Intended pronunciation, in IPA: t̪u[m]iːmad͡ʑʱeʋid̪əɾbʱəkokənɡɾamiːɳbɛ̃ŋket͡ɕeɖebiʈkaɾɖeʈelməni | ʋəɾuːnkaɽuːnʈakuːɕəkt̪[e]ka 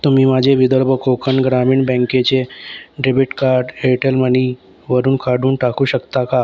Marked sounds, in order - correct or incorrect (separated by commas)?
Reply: correct, incorrect